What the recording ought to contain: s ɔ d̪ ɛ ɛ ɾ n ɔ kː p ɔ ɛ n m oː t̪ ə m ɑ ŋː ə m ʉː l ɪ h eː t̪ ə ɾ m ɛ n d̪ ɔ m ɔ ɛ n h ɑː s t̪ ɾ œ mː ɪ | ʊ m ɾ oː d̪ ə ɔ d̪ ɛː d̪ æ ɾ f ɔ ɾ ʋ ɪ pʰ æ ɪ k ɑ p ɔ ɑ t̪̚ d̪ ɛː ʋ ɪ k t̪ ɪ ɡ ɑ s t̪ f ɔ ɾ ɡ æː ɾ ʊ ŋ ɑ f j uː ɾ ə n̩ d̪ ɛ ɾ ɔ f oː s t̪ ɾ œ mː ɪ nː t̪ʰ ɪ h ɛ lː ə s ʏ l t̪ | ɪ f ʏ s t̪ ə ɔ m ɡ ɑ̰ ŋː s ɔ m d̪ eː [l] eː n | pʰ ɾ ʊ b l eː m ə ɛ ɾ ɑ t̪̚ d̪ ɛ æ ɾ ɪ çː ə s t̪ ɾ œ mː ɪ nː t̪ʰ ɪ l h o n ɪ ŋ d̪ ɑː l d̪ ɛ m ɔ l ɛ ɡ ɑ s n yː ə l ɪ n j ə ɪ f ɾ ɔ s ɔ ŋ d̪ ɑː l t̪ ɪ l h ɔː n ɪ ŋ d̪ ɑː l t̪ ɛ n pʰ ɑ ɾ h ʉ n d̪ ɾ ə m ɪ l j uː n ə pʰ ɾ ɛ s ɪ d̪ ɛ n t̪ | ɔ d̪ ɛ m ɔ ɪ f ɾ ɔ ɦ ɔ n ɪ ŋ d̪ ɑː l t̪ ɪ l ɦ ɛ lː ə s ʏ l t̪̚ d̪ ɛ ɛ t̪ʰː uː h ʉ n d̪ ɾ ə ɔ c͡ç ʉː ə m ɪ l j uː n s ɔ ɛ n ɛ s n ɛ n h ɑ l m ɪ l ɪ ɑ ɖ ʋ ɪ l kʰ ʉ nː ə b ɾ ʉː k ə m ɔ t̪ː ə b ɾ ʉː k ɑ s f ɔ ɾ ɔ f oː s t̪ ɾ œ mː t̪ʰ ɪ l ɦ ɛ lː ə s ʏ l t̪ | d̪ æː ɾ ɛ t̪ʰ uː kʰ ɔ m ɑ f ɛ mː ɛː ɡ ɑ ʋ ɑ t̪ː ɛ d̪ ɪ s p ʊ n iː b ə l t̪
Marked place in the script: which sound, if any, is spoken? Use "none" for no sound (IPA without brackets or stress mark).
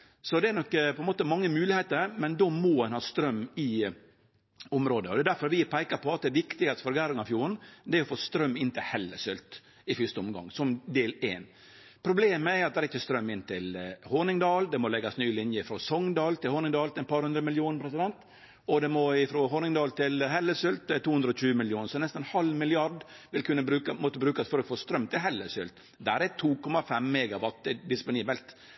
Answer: l